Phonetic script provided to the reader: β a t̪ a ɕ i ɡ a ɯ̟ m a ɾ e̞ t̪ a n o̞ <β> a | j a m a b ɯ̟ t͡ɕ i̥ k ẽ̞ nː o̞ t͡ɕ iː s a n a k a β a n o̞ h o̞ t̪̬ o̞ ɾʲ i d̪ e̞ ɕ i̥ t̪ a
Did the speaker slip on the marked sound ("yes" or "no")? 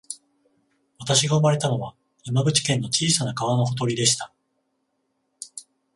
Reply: no